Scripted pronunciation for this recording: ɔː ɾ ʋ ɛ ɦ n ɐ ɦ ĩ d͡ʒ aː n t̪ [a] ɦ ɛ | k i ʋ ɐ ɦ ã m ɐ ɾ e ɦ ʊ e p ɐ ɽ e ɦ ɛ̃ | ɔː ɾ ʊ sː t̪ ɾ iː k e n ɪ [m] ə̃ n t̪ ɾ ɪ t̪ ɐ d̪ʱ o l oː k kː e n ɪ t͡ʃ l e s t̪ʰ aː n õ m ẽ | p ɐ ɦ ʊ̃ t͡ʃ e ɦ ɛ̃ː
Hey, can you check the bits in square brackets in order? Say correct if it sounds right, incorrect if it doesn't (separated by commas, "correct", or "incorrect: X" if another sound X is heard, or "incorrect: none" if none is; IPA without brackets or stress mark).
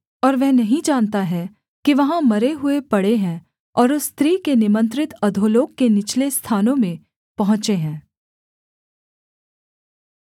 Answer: correct, correct